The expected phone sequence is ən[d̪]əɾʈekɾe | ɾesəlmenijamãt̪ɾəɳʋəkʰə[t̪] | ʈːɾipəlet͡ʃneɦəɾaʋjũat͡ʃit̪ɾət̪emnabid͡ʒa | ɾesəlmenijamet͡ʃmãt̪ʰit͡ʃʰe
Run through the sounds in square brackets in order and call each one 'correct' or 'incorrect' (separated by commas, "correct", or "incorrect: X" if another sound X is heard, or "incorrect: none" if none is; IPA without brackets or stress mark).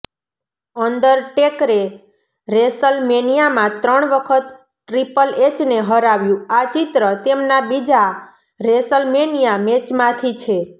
correct, correct